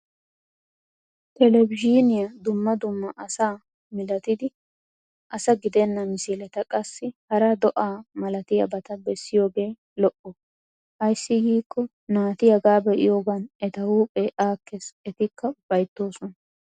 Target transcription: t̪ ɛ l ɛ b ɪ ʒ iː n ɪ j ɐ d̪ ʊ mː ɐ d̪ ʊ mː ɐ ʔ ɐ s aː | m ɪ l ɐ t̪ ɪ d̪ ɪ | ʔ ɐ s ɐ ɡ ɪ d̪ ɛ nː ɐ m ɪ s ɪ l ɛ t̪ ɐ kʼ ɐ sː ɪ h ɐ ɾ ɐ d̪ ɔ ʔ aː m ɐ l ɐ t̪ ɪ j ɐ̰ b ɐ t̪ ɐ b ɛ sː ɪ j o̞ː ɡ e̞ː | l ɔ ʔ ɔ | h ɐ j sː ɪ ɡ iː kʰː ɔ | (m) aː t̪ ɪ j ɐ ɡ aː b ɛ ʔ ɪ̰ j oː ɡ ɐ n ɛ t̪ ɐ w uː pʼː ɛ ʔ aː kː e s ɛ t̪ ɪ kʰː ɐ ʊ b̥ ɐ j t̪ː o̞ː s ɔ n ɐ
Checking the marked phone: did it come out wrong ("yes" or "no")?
yes